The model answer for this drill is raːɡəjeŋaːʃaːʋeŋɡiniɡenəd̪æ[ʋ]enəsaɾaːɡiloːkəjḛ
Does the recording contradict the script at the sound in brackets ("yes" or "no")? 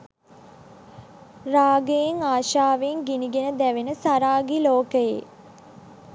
no